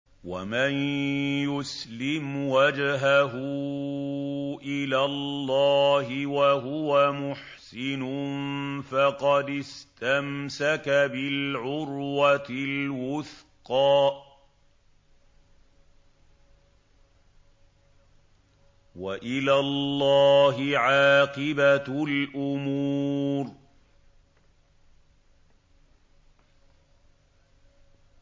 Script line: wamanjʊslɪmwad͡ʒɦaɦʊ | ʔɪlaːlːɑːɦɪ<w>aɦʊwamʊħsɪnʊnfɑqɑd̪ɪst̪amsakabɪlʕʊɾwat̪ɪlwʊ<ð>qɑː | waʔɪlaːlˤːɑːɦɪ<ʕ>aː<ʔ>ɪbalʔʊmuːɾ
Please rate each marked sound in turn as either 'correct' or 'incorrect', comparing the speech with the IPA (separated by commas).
correct, incorrect, correct, incorrect